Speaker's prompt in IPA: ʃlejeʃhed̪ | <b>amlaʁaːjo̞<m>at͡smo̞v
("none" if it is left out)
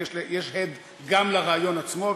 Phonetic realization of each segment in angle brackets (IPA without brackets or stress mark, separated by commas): ɡ, n